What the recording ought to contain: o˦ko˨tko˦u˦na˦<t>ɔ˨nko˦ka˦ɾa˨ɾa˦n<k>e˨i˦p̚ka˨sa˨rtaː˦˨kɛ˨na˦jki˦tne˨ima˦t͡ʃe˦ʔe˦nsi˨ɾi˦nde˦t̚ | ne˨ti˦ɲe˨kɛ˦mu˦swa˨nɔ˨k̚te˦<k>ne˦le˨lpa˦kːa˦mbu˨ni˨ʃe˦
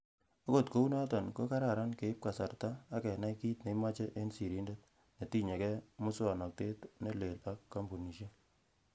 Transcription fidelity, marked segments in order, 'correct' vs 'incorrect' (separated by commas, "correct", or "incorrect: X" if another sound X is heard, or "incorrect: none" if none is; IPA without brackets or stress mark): correct, correct, incorrect: t